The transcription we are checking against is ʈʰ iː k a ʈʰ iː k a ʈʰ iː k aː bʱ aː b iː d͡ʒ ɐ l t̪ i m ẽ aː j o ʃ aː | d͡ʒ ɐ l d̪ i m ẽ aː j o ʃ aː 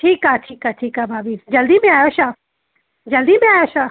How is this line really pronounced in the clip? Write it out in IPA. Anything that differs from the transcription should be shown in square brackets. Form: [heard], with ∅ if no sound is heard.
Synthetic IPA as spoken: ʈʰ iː k a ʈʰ iː k a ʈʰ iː k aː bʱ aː b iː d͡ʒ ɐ l [d̪] i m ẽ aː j o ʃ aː | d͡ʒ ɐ l d̪ i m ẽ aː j o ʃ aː